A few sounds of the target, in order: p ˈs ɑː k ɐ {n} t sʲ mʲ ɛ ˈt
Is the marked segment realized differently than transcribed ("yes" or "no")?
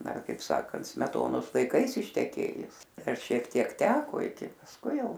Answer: no